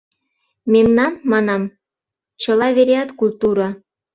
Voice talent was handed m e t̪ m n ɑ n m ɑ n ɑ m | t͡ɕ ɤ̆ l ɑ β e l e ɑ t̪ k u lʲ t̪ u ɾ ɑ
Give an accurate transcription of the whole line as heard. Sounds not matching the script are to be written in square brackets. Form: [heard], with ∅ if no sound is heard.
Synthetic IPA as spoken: m e [∅] m n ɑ n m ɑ n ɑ m | t͡ɕ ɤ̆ l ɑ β e [ɾ] e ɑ t̪ k u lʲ t̪ u ɾ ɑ